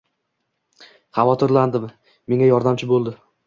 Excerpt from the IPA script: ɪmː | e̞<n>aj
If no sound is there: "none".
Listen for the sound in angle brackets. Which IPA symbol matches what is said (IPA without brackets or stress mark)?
ŋ